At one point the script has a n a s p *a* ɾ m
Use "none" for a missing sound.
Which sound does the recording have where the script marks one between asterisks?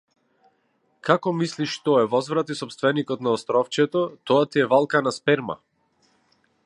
ɛ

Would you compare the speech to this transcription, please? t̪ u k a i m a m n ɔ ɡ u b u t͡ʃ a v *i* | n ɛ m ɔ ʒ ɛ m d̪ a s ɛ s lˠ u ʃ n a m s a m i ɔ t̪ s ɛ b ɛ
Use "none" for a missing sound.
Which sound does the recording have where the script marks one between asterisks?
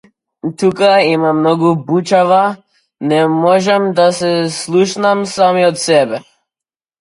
a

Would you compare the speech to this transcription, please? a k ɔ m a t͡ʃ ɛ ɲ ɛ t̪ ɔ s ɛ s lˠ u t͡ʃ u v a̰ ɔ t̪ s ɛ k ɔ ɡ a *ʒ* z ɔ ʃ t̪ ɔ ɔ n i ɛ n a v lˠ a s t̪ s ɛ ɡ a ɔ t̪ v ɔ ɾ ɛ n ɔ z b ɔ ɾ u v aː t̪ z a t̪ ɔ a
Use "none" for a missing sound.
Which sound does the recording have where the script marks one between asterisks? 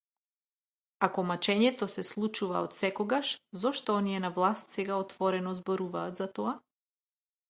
ʃ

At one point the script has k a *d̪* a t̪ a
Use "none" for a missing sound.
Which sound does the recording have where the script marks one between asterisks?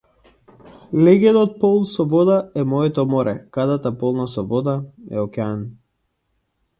d̪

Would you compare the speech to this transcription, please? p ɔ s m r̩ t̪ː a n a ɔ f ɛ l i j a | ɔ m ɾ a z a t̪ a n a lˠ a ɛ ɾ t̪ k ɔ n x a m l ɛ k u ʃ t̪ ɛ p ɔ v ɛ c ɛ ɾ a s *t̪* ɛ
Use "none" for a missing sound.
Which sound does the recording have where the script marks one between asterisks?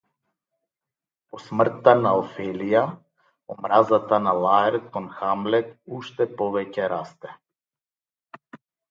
t̪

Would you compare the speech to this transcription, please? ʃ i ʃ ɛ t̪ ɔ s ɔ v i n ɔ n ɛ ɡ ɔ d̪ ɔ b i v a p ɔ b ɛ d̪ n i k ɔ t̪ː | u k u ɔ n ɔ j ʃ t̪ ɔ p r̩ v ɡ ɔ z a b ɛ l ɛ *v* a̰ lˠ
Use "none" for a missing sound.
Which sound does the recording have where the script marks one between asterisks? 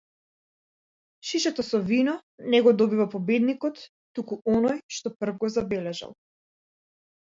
ʒ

